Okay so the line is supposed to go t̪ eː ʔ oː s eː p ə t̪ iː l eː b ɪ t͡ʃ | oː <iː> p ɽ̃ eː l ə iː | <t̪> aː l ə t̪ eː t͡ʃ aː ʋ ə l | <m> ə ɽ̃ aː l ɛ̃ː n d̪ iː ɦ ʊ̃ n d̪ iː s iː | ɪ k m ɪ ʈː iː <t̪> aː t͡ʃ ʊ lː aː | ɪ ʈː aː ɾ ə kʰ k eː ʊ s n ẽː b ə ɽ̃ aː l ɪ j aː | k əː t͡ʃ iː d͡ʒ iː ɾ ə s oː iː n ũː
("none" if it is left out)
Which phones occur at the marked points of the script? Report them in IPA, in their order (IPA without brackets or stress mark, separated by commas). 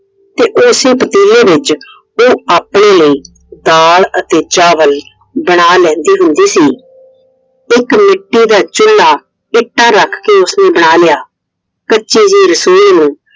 aː, d̪, b, d̪